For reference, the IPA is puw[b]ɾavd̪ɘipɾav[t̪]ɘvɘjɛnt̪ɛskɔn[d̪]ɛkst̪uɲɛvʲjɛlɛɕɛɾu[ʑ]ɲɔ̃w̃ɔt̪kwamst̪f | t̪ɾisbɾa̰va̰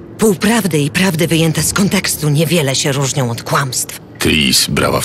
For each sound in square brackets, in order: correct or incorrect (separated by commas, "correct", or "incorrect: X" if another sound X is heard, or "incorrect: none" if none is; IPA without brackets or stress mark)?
incorrect: p, incorrect: d̪, incorrect: t̪, incorrect: ʐ